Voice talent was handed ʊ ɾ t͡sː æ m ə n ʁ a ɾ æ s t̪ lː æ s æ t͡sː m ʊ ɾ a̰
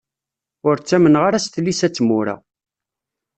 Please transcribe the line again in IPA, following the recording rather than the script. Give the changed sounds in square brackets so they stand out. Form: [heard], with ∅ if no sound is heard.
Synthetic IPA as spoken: ʊ ɾ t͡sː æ m ə n ʁ a ɾ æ s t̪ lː [i] s æ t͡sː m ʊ ɾ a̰